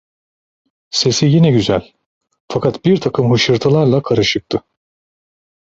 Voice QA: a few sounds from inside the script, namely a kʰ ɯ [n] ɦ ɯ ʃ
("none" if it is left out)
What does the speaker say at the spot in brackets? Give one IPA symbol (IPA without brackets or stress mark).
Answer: m